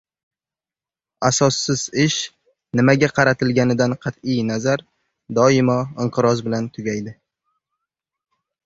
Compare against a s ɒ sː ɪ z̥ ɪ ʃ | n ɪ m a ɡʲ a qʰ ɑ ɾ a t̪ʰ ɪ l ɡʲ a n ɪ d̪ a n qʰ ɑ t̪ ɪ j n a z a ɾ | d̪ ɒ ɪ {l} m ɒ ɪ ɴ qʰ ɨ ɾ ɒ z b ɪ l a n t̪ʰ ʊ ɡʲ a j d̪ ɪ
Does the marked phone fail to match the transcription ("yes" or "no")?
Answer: yes